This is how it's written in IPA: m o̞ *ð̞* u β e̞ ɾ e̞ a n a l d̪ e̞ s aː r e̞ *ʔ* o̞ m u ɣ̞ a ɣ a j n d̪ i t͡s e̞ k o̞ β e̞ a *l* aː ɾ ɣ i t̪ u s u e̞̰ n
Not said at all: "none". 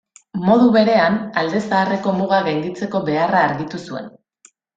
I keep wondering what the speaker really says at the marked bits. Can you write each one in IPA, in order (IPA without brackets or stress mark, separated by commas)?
ð̞, k, r